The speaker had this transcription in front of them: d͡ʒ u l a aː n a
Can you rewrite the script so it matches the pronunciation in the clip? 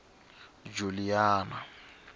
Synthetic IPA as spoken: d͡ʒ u l i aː n a